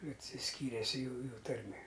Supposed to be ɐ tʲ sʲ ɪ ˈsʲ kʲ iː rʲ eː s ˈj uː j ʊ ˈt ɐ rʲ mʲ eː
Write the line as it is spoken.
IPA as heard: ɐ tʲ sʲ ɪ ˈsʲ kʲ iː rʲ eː s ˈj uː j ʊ ˈt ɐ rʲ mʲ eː